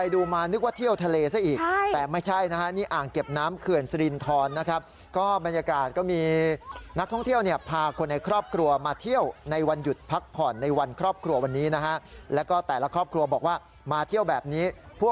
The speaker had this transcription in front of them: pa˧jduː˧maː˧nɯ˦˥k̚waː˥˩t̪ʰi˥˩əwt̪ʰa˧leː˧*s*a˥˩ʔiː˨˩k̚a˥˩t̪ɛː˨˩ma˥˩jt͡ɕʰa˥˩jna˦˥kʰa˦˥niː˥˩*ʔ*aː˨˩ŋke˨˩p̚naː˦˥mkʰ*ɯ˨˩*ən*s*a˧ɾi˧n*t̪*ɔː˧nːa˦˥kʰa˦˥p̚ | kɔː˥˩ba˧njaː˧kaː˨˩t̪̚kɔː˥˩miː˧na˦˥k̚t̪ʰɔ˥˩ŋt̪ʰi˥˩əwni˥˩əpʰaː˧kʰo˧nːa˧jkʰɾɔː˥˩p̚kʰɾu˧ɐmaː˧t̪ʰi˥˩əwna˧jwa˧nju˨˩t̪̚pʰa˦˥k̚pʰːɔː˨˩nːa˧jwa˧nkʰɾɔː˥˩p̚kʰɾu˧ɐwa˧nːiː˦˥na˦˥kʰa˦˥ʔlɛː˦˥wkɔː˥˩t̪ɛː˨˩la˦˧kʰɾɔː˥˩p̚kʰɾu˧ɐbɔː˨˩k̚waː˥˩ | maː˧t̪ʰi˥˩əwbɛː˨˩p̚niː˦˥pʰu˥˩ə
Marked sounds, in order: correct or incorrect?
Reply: correct, correct, correct, correct, incorrect

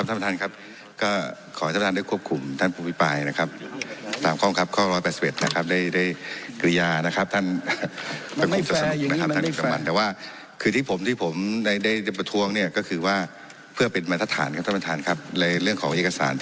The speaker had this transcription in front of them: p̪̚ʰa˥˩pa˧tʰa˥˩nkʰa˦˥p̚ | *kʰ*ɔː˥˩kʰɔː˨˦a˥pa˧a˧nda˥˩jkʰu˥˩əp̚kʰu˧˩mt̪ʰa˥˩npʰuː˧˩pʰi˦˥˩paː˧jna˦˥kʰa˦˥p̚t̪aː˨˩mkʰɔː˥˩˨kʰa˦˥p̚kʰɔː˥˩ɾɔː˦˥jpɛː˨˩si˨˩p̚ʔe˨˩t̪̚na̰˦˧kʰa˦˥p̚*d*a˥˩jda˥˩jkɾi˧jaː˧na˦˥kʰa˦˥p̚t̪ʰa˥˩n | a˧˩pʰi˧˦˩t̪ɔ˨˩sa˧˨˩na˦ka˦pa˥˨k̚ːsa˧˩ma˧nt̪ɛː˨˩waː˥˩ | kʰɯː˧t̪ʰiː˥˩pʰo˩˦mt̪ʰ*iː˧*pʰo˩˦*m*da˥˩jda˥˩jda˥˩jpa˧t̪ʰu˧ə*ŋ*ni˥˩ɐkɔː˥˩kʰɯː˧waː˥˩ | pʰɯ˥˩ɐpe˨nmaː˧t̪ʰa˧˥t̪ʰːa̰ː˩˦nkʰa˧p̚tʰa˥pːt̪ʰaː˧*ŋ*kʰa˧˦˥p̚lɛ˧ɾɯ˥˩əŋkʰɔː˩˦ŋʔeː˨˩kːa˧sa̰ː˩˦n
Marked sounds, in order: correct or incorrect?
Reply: incorrect, correct, incorrect, correct, correct, incorrect

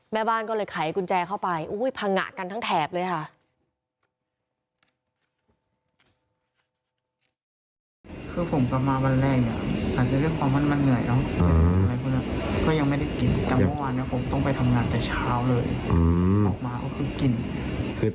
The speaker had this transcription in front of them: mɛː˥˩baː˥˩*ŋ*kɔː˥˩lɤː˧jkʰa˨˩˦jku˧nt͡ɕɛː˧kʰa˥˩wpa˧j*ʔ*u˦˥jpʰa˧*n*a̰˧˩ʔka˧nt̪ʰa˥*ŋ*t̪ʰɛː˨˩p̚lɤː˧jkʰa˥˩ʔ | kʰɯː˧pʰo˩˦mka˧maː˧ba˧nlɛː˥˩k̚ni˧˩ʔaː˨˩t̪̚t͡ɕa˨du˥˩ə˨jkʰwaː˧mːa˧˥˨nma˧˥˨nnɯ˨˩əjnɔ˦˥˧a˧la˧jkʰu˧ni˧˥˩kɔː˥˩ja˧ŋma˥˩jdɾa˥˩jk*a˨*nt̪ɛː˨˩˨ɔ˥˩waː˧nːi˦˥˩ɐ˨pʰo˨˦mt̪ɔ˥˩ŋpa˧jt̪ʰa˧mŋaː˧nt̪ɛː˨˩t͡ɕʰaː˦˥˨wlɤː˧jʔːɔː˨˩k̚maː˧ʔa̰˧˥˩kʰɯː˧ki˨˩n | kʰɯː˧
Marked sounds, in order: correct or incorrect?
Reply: incorrect, correct, incorrect, correct, incorrect

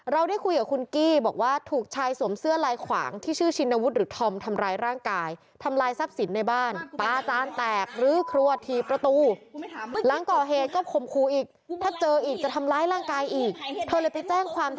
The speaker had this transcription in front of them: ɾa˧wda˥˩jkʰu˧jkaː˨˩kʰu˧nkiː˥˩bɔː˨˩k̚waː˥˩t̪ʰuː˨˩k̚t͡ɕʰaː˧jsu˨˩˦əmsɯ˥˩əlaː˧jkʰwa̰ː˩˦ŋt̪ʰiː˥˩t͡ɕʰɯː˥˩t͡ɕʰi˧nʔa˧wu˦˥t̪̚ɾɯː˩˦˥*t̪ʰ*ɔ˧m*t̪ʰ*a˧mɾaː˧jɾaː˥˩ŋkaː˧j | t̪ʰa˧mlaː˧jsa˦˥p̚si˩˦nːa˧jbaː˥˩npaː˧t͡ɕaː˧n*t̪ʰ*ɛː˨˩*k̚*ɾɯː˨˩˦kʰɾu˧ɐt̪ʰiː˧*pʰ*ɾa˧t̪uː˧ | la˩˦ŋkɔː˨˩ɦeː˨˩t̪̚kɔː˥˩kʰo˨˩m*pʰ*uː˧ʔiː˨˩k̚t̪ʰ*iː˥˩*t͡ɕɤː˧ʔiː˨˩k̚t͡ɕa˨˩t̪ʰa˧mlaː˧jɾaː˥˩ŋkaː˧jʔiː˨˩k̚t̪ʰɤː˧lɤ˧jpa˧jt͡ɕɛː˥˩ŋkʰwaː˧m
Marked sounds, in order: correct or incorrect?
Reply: correct, correct, incorrect, correct, incorrect, incorrect, incorrect

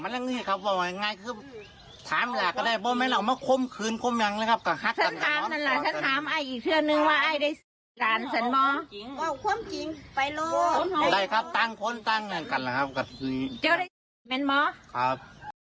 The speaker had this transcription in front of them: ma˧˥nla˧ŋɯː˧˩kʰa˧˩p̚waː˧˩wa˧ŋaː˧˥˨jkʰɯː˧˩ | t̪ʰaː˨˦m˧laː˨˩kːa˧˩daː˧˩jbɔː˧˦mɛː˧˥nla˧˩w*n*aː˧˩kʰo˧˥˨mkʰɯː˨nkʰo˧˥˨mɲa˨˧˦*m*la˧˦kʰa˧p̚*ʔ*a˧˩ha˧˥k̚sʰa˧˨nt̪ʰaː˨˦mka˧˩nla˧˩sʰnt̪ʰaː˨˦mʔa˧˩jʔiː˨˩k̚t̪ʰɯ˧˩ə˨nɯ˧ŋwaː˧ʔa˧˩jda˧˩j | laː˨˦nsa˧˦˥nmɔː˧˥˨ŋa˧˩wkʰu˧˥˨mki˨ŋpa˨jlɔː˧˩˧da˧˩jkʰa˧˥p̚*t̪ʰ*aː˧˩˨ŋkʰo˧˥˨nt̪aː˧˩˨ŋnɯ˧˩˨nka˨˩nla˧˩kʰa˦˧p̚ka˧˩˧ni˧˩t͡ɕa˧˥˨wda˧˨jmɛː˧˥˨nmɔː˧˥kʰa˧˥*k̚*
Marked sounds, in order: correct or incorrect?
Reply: incorrect, incorrect, incorrect, incorrect, incorrect

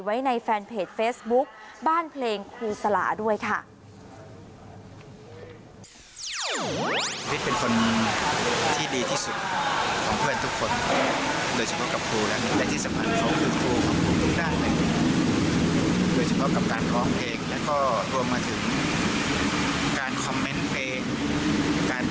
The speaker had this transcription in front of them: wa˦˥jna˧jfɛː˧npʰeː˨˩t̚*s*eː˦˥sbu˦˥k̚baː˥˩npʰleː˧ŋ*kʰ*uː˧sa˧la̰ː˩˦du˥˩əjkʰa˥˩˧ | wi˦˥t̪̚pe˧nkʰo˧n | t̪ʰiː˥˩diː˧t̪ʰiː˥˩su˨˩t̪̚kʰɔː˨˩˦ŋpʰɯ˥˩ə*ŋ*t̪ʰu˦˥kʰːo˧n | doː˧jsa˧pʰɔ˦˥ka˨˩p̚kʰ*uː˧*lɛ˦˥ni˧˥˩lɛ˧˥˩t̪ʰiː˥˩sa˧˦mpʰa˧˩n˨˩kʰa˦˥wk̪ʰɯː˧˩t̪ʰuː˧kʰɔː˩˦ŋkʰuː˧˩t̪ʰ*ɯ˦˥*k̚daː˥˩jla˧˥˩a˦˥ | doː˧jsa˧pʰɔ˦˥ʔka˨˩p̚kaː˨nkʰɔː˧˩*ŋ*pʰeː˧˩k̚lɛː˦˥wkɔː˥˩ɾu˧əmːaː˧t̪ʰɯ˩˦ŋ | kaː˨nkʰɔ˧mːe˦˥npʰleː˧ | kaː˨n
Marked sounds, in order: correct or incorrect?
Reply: incorrect, correct, incorrect, correct, incorrect, correct

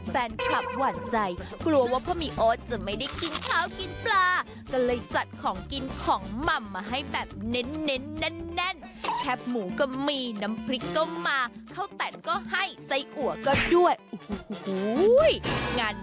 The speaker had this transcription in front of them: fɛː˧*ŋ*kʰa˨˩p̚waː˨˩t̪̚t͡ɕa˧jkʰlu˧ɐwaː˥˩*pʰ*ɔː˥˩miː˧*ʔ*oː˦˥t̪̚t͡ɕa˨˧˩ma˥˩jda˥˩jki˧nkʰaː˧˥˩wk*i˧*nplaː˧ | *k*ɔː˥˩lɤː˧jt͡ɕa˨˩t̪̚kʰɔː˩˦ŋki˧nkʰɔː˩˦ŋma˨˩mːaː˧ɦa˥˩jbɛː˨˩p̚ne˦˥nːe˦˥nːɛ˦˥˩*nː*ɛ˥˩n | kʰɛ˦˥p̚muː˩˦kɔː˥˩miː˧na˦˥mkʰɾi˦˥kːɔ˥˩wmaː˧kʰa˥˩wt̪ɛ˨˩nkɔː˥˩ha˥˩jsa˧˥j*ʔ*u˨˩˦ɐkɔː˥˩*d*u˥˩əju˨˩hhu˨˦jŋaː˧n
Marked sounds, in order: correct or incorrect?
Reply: incorrect, correct, correct, correct, correct, correct, correct, correct

